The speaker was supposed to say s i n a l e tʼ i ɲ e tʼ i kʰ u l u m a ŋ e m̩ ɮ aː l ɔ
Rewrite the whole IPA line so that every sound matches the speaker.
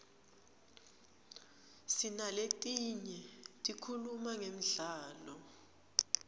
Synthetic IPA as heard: s i n a l e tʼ i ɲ ɛ tʼ i kʰ u l u m a ŋ e m̩ ɮ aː l ɔ